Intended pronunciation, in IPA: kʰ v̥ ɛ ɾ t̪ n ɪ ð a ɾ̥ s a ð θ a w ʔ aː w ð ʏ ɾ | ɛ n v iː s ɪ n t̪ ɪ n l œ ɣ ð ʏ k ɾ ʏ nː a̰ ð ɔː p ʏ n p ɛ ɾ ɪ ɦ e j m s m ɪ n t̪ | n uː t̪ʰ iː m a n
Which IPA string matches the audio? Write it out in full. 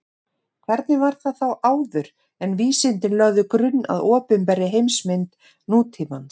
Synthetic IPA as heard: kʰ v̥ ɛ ɾ t̪ n ɪ v a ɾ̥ θ a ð θ a w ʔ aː w ð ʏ ɾ | ɛ n v iː s ɪ n t̪ ɪ n l œ ɣ ð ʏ k ɾ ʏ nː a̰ ð ɔː p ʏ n p ɛ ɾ ɪ ɦ e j m s m ɪ n t̪ | n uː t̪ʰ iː m a n